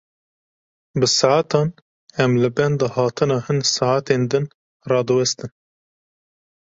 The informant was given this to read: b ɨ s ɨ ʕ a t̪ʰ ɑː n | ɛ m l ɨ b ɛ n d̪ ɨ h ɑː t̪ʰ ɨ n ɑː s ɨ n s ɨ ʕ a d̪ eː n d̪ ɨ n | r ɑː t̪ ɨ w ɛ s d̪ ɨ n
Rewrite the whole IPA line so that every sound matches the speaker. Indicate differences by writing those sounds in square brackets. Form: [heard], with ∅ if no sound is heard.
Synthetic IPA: b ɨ s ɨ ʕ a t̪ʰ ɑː n | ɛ m l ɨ b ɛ n d̪ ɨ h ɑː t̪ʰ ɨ n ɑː [h] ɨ n s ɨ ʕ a [t̪] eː n d̪ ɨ n | r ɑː [d̪] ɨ w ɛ s [t̪] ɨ n